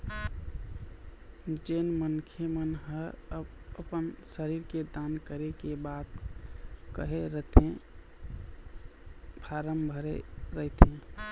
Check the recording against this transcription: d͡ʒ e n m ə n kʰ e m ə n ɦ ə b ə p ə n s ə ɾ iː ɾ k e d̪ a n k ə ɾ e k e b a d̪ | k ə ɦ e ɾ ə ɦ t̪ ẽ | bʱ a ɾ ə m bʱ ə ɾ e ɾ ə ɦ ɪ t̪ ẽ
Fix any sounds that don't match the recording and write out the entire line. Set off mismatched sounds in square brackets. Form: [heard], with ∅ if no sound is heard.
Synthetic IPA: d͡ʒ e n m ə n kʰ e m ə n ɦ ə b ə p ə n s ə ɾ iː ɾ k e d̪ a n k ə ɾ e k e b a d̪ | k ə ɦ e ɾ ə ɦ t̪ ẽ | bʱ a ɾ ə m bʱ ə ɾ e ɾ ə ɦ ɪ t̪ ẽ